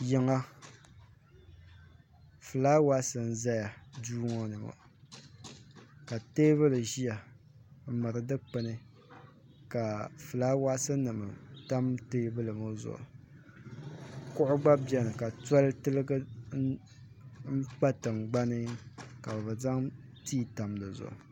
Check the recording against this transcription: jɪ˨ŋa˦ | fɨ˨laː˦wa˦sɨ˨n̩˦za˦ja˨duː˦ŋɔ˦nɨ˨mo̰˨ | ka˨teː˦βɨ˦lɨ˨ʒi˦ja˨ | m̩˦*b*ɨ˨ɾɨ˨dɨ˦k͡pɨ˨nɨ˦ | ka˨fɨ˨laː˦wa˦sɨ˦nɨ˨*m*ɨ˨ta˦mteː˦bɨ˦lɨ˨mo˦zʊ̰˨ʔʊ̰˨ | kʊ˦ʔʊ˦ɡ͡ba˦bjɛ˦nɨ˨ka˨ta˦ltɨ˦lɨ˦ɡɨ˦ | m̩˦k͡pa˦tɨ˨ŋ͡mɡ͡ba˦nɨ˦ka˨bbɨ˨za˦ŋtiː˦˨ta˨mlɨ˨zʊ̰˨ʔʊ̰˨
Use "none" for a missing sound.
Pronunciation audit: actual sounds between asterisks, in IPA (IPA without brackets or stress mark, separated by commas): m, m